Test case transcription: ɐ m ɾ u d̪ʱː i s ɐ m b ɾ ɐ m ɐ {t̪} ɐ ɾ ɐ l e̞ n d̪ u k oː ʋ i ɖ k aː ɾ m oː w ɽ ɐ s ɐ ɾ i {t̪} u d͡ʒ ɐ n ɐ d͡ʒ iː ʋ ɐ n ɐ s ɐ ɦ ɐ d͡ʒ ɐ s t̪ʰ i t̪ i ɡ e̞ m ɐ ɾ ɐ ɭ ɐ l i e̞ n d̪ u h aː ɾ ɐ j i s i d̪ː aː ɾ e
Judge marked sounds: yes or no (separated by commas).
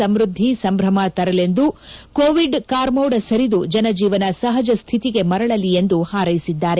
yes, no